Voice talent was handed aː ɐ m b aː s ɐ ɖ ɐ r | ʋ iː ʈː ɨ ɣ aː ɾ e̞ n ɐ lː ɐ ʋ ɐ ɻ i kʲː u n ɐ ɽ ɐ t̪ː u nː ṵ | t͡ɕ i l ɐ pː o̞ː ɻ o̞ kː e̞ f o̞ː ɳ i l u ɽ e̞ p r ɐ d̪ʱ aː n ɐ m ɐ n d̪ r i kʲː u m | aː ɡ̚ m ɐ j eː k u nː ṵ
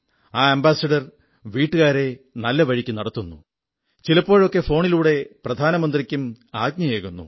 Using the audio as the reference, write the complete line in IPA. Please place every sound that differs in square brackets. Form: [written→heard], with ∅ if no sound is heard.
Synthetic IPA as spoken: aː ɐ m b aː s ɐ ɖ ɐ r | ʋ iː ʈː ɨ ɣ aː ɾ e̞ n ɐ lː ɐ ʋ ɐ ɻ i kʲː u n ɐ ɽ ɐ t̪ː u nː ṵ | t͡ɕ i l ɐ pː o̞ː ɻ o̞ kː e̞ f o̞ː ɳ i l [u→uː] ɽ e̞ p r ɐ d̪ʱ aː n ɐ m ɐ n d̪ r i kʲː u m | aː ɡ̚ [m→ɲ] ɐ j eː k u nː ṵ